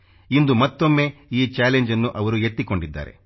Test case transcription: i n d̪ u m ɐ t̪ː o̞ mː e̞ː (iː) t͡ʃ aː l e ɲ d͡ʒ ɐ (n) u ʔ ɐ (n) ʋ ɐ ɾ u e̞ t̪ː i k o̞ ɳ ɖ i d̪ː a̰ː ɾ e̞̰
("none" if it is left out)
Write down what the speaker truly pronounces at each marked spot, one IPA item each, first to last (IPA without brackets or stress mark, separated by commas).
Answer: iː, nː, none